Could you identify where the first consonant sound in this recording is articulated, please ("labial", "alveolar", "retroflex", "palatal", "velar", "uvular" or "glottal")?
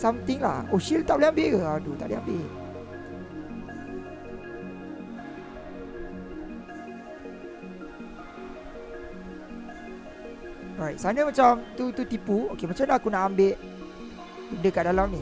alveolar